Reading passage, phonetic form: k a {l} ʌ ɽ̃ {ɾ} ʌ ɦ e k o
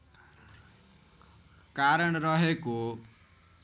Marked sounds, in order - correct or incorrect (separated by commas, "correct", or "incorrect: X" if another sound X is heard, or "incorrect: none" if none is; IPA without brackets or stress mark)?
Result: incorrect: ɾ, correct